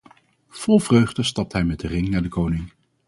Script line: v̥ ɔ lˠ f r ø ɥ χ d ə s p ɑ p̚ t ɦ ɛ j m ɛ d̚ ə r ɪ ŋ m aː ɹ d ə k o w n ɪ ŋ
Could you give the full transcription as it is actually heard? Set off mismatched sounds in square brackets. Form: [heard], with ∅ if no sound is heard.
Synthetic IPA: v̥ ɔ lˠ [v] r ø ɥ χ d ə s [t] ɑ p̚ t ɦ ɛ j m ɛ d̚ ə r ɪ ŋ [n] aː ɹ d ə k o w n ɪ ŋ